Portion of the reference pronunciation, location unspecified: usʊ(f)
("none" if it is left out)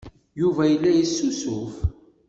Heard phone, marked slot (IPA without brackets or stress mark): f